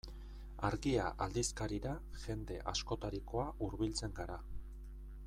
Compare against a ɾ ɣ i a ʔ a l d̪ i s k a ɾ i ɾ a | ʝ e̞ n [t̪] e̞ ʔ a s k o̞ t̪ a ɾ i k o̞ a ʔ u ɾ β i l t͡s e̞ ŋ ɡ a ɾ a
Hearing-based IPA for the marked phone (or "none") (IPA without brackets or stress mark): d̪